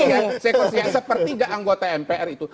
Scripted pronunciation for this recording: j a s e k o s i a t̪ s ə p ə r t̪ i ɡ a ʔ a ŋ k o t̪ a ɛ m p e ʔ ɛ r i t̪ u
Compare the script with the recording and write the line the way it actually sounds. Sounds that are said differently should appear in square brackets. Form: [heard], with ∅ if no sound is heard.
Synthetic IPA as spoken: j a s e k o s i a [∅] s ə p ə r t̪ i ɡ a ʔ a ŋ [ɡ] o t̪ a ɛ m p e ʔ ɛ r i t̪ u